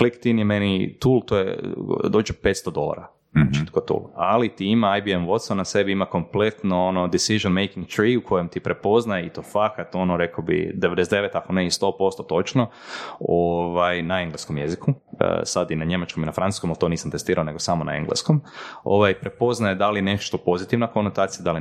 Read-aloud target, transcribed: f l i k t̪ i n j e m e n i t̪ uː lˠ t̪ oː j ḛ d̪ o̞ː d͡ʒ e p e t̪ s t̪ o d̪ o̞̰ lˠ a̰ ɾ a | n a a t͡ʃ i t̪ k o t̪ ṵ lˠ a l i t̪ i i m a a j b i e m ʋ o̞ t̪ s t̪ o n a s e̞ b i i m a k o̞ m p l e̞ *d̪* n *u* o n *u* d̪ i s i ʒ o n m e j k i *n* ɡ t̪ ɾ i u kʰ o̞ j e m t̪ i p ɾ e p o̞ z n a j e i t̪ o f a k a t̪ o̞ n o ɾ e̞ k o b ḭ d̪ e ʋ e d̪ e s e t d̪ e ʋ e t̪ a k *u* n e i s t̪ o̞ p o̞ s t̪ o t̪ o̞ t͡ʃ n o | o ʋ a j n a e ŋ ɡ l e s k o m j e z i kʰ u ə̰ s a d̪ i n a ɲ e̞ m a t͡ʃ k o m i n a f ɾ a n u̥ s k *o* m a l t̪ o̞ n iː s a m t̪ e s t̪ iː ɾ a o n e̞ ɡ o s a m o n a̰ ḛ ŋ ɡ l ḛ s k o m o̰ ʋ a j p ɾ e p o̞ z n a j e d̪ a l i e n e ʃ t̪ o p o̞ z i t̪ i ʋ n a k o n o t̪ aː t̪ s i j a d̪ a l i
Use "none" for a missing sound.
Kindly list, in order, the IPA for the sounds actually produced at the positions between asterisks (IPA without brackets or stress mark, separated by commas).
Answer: t̪, o, o, ŋ, o, o